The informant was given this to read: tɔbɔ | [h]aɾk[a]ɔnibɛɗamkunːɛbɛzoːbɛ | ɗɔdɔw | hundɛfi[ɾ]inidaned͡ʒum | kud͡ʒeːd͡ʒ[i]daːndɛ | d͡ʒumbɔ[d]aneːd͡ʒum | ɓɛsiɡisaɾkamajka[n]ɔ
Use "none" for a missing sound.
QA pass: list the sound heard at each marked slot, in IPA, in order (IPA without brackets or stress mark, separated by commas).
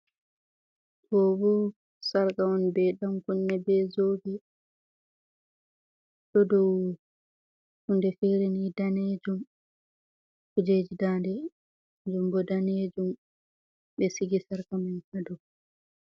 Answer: s, a, ɾ, i, d, d